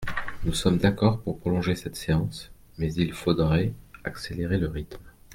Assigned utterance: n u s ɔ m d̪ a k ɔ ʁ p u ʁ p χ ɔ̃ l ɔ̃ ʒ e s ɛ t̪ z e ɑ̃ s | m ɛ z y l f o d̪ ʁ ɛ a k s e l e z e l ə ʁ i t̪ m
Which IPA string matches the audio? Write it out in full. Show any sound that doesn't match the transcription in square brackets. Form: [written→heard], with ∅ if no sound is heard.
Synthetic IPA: n u s ɔ m d̪ a k ɔ ʁ p u ʁ p χ [ɔ̃→ɔ] l ɔ̃ ʒ e s ɛ t̪ [z→s] e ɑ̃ s | m ɛ z [y→i] l f o d̪ ʁ ɛ a k s e l e [z→ʁ] e l ə ʁ i t̪ m